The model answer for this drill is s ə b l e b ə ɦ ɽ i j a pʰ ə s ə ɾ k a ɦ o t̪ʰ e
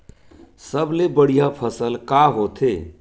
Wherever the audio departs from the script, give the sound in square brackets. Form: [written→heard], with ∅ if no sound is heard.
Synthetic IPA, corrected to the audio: s ə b l e b ə [ɦ→∅] ɽ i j a pʰ ə s ə [ɾ→l] k a ɦ o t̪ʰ e